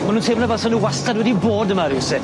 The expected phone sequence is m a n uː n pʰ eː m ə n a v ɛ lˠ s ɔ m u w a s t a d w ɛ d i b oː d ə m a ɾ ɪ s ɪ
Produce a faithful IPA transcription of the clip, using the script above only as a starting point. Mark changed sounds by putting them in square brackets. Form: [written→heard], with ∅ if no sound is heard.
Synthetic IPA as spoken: m a n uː n [pʰ→tʰ] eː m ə n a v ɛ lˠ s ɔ [m→n] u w a s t a d w ɛ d i b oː d ə m a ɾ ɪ s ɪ